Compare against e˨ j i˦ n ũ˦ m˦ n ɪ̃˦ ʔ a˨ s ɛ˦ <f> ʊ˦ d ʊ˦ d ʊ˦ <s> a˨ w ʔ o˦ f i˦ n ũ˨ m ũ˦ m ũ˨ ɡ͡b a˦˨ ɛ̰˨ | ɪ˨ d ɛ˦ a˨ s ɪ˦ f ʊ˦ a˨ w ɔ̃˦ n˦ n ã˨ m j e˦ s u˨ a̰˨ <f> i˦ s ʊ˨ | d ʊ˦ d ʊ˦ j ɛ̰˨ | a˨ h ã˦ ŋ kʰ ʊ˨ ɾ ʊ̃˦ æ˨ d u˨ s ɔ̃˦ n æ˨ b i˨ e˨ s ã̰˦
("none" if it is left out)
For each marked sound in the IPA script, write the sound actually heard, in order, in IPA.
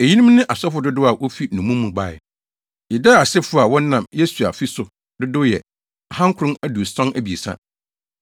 f, none, f

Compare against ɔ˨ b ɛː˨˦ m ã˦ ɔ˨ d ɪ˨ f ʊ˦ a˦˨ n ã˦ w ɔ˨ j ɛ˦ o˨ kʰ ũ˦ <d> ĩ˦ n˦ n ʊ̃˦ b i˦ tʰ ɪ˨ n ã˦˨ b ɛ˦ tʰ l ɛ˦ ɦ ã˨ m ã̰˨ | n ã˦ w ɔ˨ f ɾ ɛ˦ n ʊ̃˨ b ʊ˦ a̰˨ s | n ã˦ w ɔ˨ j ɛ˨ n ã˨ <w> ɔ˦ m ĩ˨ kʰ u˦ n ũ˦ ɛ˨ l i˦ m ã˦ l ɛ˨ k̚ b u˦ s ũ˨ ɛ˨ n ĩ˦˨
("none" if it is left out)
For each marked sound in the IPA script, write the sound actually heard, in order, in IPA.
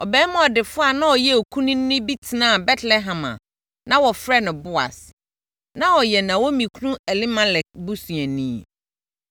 n, w

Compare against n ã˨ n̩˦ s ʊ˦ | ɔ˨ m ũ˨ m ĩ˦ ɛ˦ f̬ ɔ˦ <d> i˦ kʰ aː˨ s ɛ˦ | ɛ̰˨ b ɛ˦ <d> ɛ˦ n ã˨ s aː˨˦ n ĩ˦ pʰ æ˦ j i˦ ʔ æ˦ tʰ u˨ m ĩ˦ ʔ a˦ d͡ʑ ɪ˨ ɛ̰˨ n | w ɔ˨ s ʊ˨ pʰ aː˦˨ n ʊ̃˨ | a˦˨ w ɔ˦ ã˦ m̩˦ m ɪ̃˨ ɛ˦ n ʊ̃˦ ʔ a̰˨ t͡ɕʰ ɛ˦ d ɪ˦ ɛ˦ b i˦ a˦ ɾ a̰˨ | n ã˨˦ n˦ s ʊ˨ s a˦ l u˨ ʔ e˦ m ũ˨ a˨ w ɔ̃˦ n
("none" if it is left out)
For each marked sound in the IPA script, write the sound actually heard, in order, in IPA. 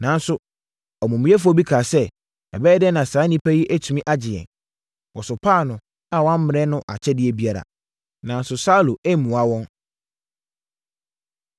b, d

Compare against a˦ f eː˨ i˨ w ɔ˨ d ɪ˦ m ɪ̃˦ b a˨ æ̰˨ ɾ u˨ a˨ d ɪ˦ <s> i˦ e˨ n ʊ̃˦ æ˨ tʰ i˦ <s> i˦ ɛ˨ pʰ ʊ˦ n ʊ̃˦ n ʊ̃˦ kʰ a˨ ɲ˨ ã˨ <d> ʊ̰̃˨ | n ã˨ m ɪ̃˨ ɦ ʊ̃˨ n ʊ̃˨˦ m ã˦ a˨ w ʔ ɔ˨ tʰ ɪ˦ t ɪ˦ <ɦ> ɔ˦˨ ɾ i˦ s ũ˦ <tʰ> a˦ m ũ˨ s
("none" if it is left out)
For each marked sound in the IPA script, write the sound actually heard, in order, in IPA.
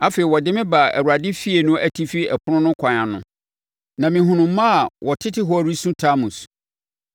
f, f, n, ɦ, tʰ

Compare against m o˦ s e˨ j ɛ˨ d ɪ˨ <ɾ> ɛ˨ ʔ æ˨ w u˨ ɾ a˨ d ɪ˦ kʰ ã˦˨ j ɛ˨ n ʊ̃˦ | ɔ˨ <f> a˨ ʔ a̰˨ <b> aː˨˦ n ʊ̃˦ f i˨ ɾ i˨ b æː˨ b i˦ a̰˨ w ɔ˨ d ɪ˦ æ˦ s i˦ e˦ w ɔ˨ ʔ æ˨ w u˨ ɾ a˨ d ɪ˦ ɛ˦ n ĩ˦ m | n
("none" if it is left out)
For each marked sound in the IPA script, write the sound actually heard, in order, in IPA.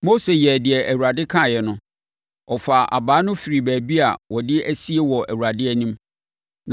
none, f, b

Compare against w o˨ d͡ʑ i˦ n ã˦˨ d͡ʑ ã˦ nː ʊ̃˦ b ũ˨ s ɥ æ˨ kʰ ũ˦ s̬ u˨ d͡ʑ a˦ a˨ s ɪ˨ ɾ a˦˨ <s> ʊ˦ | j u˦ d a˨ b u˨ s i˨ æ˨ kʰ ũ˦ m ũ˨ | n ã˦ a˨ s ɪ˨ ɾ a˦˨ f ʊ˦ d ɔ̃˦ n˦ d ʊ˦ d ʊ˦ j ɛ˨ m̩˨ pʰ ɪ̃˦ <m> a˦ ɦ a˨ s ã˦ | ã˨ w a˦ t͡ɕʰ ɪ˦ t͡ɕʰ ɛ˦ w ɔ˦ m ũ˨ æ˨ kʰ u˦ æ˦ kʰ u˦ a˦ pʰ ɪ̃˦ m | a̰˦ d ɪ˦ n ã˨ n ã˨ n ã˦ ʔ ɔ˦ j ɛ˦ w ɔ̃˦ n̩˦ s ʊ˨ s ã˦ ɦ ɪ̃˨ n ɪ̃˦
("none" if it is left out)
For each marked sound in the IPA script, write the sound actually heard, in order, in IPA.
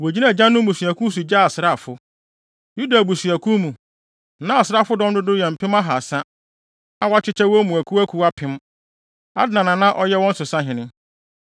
f, m

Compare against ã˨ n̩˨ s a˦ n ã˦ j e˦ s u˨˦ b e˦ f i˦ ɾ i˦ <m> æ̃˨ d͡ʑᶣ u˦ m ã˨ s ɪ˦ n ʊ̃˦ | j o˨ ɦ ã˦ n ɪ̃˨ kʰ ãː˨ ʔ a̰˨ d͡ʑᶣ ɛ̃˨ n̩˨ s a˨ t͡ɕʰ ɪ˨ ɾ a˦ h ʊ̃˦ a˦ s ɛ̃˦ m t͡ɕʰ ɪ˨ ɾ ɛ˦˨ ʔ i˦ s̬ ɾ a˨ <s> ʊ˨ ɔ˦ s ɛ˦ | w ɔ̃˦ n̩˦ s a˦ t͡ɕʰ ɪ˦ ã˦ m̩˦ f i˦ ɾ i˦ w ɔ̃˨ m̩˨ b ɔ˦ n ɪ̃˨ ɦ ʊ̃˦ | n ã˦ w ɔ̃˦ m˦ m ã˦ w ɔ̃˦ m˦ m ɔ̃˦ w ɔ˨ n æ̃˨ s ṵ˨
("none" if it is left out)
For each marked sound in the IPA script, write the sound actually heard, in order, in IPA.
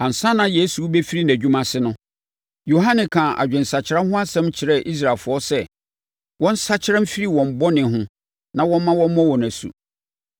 n, f

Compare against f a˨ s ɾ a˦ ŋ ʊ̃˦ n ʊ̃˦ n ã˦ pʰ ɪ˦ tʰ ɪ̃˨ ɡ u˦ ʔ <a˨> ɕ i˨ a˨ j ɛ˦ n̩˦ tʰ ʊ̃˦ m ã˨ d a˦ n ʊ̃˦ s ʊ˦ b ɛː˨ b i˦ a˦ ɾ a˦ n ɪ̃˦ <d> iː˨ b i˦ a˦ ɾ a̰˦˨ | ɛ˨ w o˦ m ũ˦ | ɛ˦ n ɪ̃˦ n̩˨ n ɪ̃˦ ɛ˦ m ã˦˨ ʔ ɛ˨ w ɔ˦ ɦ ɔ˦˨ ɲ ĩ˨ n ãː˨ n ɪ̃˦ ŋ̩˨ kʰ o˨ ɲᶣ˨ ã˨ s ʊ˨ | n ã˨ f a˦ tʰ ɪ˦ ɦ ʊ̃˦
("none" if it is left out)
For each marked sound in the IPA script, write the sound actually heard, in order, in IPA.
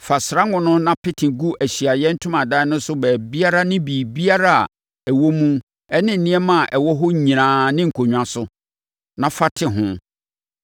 æ˨, b

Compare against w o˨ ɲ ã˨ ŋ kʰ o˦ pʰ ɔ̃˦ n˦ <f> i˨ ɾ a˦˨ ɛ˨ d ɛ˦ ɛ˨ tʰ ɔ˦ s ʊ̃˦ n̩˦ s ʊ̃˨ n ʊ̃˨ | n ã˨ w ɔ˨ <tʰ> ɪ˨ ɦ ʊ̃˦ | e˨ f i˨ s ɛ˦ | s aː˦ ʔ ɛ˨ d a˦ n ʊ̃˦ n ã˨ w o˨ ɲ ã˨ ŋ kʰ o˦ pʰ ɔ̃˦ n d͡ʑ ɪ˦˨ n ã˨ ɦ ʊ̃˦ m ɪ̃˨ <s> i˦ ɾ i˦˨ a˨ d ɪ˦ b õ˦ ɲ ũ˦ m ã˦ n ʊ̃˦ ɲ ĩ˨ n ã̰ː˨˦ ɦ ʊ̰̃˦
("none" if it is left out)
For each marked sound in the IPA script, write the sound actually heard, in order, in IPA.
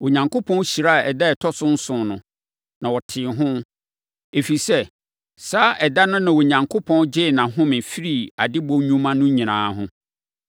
ɕ, tʰ, f

